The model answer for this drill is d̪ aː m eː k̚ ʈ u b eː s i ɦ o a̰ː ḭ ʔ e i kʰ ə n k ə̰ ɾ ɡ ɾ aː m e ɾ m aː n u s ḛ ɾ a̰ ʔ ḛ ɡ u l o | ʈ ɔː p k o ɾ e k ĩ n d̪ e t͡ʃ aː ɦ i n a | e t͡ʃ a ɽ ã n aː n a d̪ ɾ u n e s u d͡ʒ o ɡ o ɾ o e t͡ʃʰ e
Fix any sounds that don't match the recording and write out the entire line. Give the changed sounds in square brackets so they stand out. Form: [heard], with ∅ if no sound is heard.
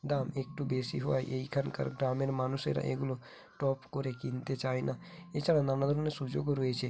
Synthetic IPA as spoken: d̪ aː m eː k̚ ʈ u b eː s i ɦ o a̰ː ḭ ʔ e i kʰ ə n k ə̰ ɾ ɡ ɾ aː m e ɾ m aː n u s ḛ ɾ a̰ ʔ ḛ ɡ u l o | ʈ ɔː p k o ɾ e k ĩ n [t̪] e t͡ʃ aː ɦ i n a | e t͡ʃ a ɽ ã n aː n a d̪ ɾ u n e s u d͡ʒ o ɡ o ɾ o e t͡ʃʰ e

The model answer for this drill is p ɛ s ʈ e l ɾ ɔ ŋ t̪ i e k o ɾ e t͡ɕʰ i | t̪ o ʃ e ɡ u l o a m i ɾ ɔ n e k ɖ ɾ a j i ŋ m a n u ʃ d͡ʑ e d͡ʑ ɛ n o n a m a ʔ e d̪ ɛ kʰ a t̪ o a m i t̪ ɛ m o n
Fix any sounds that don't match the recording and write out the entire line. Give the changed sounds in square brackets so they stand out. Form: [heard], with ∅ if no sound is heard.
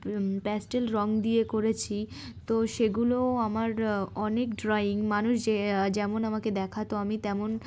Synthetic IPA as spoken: p ɛ s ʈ e l ɾ ɔ ŋ [d̪] i e k o ɾ e t͡ɕʰ i | t̪ o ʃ e ɡ u l o a m [a] ɾ ɔ n e k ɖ ɾ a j i ŋ m a n u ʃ d͡ʑ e d͡ʑ ɛ [m] o n a m a [k] e d̪ ɛ kʰ a t̪ o a m i t̪ ɛ m o n

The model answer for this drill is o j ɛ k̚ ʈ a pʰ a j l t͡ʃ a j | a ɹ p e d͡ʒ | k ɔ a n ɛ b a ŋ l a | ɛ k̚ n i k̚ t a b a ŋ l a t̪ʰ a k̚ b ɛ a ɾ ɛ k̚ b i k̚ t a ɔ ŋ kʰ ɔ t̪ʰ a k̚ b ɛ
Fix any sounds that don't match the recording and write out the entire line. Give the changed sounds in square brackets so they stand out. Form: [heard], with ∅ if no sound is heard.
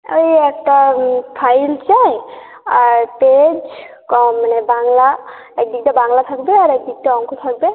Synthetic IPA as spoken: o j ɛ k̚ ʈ a pʰ a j l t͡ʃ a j | a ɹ p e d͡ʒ | k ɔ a n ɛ b a ŋ l a | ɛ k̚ [d] i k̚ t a b a ŋ l a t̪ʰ a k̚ b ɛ a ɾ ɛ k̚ [d] i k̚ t a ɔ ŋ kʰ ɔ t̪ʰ a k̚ b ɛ

